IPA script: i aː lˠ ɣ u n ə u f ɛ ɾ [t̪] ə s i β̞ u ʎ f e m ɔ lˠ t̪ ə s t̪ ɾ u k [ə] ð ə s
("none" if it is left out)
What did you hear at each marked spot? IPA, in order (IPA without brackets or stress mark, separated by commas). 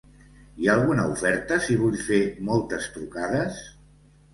t̪, a